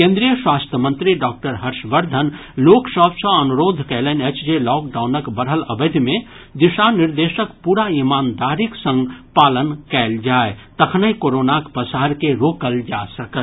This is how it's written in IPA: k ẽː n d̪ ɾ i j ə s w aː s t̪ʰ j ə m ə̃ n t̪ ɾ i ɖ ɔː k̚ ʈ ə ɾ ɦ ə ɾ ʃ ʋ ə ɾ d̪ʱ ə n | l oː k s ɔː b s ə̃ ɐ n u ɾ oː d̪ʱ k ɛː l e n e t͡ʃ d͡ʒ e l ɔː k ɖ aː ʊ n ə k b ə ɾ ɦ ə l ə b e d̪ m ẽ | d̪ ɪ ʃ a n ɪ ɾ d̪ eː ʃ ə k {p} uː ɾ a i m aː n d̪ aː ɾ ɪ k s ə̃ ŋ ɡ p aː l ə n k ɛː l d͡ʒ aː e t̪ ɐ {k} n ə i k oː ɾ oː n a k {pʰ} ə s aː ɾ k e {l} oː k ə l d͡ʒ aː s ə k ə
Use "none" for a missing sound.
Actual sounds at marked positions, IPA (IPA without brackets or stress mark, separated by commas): p, kʰ, p, ɾ